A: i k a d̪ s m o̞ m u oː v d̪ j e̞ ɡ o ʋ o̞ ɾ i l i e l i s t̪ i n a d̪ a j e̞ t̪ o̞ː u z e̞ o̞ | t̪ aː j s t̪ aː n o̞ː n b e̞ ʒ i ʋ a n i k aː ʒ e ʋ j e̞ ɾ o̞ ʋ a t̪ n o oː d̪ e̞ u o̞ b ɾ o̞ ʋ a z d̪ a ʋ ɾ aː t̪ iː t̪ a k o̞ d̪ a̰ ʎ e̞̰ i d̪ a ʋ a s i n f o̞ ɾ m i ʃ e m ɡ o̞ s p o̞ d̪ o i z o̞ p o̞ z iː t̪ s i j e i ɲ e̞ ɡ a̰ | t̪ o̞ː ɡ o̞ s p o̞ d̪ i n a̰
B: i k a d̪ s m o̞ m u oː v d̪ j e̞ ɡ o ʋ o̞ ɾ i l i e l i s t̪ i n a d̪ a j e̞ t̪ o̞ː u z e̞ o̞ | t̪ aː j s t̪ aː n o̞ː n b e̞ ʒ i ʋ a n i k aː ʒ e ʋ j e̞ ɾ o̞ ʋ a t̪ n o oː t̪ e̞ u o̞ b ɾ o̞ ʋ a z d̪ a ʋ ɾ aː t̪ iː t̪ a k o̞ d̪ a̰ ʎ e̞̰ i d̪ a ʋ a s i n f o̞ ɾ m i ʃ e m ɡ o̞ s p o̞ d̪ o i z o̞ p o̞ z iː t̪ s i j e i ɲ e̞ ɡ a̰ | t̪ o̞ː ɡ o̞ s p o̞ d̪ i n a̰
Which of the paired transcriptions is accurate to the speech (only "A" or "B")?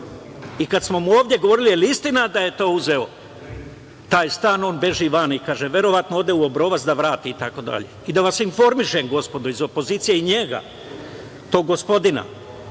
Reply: A